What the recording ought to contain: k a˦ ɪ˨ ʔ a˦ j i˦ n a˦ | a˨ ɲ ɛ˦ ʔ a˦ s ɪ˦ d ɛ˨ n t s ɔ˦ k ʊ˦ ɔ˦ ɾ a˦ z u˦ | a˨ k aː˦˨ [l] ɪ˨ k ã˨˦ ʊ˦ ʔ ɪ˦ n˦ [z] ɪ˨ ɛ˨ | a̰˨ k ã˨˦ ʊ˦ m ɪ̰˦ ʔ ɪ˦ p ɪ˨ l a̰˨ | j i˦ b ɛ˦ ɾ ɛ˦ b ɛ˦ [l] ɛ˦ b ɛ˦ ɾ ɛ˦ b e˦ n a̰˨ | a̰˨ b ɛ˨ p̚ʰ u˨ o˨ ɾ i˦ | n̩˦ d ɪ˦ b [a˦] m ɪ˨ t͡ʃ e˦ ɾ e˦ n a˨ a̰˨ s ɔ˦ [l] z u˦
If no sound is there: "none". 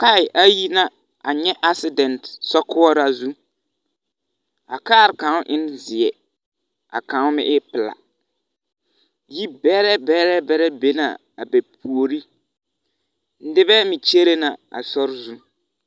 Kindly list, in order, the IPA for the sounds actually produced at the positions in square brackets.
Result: ɾ, z, ɾ, ɛ˦, ɾ

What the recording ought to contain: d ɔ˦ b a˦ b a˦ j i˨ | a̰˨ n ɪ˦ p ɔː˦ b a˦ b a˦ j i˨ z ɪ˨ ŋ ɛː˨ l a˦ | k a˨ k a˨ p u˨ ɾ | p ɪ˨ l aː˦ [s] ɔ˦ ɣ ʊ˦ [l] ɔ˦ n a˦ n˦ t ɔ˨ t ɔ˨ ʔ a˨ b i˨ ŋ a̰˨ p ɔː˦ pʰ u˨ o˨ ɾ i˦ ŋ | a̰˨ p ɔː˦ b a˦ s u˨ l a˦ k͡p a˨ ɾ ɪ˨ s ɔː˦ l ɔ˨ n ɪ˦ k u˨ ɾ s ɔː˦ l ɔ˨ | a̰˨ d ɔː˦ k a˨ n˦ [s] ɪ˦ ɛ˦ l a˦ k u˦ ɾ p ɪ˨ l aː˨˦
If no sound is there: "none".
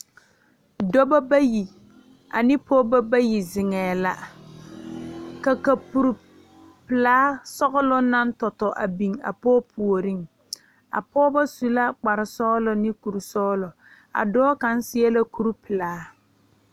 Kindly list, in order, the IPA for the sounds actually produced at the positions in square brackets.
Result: s, l, s

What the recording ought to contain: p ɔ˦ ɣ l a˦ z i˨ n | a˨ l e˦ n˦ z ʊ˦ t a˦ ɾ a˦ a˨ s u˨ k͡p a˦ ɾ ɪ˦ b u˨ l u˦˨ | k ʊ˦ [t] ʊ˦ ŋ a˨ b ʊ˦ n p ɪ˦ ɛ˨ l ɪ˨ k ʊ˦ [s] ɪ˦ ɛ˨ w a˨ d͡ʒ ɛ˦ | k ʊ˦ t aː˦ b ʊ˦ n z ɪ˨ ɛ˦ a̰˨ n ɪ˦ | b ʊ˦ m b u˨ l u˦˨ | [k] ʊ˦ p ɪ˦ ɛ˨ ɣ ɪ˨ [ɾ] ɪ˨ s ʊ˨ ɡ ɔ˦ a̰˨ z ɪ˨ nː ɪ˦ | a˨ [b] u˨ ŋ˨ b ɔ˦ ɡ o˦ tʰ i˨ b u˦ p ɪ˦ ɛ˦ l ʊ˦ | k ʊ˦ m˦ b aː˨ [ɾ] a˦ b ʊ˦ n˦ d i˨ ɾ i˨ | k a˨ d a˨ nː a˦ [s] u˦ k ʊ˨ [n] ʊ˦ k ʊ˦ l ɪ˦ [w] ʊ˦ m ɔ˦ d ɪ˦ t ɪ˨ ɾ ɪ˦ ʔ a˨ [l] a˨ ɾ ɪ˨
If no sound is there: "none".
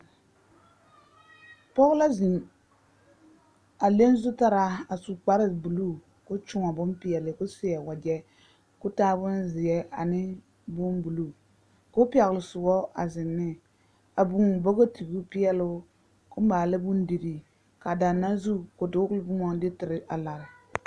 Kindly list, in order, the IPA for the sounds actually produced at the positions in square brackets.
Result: t͡ʃ, s, k, l, b, l, z, d, b, l

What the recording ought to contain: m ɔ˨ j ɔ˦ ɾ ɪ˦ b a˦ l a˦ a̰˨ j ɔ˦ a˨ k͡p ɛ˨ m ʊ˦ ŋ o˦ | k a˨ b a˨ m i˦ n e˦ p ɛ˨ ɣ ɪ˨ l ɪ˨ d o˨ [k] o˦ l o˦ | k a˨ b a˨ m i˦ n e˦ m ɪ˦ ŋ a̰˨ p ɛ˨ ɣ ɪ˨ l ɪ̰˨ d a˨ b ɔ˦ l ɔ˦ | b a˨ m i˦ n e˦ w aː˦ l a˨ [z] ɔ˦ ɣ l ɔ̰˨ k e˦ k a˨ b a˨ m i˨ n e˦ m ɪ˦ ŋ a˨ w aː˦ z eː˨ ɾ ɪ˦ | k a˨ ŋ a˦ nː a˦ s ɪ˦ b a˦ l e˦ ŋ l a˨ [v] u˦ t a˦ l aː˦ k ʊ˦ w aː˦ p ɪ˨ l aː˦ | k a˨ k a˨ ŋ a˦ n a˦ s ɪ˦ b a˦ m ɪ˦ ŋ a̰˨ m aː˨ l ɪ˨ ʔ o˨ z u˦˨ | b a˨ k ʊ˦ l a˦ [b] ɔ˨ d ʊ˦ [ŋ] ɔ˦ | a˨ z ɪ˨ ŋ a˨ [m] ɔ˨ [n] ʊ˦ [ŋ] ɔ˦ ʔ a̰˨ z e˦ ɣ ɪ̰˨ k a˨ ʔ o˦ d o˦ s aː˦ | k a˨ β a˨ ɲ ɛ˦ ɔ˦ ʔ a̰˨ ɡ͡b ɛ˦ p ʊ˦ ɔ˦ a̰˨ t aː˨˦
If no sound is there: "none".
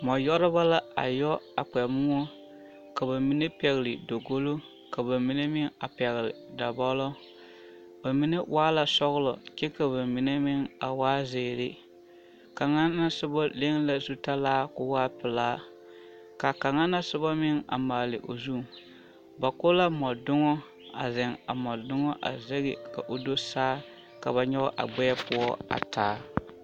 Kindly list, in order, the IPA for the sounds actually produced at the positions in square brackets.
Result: ɡ, s, z, m, ŋ, m, d, ŋ

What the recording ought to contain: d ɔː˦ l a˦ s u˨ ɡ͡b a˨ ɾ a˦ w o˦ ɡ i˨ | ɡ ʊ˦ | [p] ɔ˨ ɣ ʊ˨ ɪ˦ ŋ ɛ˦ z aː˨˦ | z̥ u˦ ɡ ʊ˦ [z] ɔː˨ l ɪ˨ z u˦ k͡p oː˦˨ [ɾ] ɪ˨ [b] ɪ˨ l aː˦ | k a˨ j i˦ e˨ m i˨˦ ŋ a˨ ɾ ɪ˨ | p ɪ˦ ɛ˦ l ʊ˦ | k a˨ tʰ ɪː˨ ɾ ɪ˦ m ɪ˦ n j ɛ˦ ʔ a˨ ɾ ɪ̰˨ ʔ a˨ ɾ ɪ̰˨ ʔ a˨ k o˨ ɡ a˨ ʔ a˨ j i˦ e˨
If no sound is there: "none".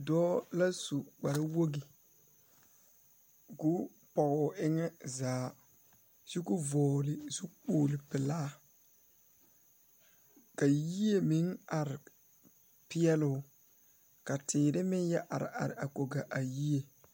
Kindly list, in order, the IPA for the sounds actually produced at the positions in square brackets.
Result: p, v, l, p

